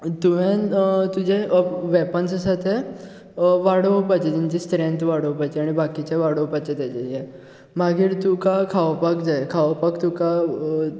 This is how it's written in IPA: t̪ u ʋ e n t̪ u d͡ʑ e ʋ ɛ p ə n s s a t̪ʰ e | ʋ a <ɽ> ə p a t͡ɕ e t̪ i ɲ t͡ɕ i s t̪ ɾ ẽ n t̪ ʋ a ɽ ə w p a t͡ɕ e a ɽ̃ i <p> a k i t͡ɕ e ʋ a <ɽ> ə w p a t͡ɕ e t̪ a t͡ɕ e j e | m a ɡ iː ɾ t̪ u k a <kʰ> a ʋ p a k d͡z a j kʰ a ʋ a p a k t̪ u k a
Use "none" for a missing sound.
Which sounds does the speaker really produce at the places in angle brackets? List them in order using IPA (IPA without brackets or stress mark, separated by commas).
ɽ, b, ɽ, kʰ